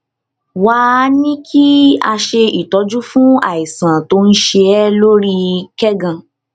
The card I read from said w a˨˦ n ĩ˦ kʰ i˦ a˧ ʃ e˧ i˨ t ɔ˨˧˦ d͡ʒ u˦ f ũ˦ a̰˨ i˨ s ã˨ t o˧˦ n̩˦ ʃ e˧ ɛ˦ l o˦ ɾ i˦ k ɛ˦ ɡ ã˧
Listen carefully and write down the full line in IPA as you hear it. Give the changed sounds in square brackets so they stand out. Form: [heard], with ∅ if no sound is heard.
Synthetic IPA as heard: w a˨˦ n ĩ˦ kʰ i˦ a˧ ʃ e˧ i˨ t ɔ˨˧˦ d͡ʒ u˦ f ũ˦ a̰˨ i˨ s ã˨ t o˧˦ n̩˦ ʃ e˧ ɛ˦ l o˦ ɾ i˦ k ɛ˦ ɡ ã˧